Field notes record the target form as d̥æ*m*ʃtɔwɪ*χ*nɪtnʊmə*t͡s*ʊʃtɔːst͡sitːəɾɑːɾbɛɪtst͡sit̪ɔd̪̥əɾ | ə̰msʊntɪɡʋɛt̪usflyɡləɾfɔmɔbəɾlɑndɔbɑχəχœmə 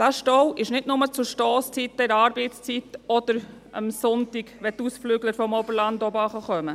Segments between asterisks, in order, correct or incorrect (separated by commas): incorrect, incorrect, correct